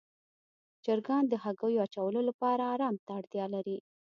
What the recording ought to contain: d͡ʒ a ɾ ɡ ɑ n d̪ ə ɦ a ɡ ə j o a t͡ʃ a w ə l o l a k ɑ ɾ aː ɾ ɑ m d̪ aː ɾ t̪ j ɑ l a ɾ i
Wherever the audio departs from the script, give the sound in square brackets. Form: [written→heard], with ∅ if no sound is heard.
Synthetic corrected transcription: d͡ʒ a ɾ ɡ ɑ n d̪ ə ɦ a ɡ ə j o a t͡ʃ a w ə l o l a [k→p] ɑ ɾ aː ɾ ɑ m [d̪→t̪] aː [ɾ→ɽ] t̪ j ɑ l a ɾ i